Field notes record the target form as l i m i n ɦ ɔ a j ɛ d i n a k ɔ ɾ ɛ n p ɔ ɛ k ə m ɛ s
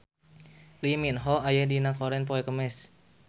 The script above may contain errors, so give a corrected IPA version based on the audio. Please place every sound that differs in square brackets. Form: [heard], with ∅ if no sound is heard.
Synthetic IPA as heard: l i m i n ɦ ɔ a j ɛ d i n a k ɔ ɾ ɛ n p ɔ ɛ k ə m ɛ s